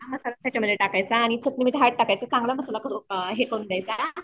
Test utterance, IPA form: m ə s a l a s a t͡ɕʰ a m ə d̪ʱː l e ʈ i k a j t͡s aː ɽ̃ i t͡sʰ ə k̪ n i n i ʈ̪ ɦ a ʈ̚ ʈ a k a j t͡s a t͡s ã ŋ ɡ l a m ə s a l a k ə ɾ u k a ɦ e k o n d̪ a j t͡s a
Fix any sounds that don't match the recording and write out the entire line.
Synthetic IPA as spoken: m ə s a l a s a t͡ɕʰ a m ə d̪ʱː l e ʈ a k a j t͡s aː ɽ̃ i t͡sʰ ə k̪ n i m i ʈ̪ ɦ a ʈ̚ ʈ a k a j t͡s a t͡s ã ŋ ɡ l a m ə s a l a k ə ɾ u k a ɦ e k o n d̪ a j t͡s a